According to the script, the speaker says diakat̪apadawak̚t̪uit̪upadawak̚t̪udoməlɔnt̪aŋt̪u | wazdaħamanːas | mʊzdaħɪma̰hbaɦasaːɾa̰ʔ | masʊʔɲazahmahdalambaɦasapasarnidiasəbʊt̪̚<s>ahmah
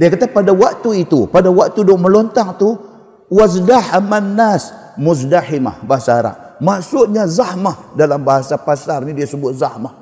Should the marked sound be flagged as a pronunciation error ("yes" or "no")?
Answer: yes